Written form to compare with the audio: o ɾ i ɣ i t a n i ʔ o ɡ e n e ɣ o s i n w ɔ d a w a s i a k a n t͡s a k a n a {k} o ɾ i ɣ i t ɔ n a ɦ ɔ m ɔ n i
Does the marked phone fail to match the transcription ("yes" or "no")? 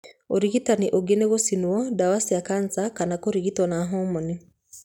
no